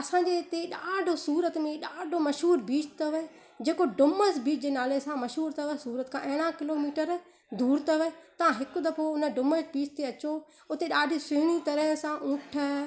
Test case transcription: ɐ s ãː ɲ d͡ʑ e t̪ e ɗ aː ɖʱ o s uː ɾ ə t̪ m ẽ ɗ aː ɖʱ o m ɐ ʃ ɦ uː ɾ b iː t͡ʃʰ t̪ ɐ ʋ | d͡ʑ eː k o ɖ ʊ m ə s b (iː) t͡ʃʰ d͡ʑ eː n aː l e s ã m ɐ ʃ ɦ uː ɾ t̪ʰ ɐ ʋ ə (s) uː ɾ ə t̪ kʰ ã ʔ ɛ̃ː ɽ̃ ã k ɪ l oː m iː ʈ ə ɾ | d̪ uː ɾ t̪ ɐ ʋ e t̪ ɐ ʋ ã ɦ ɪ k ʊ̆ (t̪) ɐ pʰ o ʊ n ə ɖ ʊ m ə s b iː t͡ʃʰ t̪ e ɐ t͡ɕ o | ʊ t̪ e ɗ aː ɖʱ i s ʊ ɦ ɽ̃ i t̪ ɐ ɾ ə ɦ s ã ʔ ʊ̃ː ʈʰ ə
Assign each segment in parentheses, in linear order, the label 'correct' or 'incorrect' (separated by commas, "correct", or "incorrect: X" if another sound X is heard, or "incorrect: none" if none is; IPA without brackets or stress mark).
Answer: correct, correct, incorrect: d̪